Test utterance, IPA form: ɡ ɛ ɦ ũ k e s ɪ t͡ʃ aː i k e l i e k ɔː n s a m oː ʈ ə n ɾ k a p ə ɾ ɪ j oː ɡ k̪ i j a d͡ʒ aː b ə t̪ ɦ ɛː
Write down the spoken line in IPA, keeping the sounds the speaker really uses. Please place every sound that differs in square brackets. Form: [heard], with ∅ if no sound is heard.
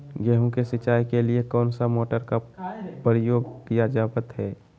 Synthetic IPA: ɡ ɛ ɦ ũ k e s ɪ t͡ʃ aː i k e l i e k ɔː n s a m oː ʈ ə [∅] ɾ k a p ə ɾ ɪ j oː ɡ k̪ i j a d͡ʒ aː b ə t̪ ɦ ɛː